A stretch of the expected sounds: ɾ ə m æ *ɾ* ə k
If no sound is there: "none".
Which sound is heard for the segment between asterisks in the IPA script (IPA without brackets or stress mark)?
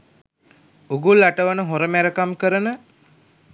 ɾ